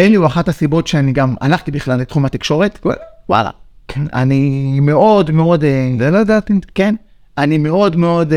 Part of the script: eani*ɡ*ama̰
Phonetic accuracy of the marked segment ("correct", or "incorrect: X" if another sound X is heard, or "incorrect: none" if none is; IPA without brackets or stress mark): correct